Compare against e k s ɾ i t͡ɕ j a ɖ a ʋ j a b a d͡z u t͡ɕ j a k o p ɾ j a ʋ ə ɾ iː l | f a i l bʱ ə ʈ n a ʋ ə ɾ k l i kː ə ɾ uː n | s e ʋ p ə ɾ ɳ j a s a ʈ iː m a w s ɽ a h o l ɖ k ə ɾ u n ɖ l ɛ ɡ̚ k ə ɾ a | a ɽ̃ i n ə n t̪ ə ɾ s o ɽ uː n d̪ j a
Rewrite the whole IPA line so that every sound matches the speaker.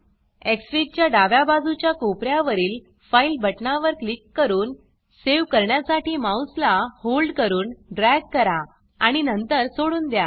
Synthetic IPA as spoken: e k s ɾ i t͡ɕ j a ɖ a ʋ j a b a d͡z u t͡ɕ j a k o p ɾ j a ʋ ə ɾ iː l | f a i l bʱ ə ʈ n a ʋ ə ɾ k l i kː ə ɾ uː n | s e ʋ k ə ɾ ɳ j a s a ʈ iː m a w s l a h o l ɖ k ə ɾ uː n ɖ ɾ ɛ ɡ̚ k ə ɾ a | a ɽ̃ i n ə n t̪ ə ɾ s o ɽ uː n d̪ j a